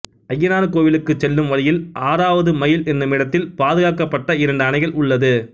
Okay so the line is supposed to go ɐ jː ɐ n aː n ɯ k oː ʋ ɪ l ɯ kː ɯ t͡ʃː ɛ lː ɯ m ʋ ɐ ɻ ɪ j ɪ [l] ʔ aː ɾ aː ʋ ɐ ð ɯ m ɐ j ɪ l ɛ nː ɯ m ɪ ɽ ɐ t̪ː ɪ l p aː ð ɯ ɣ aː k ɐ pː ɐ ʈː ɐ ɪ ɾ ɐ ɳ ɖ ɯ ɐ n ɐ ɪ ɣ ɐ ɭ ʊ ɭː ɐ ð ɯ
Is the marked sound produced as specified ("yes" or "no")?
yes